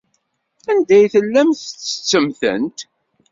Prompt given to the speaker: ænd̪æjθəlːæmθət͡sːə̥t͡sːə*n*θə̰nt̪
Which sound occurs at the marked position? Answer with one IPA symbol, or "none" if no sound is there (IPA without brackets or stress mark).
m